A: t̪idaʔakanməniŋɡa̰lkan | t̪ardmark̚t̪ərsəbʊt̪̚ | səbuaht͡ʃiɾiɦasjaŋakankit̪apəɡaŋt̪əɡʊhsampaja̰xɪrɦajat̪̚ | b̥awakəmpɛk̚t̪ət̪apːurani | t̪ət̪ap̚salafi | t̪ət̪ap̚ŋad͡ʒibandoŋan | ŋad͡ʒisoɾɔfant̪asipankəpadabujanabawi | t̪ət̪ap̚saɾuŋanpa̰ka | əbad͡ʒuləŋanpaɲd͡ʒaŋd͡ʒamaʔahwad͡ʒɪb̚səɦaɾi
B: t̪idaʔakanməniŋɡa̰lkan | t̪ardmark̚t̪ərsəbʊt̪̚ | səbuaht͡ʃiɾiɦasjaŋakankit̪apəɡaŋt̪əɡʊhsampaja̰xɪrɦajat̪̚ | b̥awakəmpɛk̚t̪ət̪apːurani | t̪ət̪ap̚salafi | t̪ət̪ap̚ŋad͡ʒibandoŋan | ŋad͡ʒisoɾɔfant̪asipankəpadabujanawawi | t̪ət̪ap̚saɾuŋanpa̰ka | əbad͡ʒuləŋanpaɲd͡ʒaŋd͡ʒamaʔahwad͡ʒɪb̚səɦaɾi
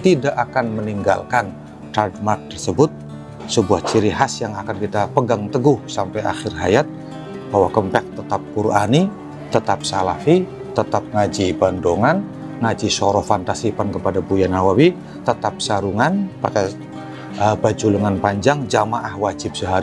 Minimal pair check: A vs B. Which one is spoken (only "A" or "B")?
B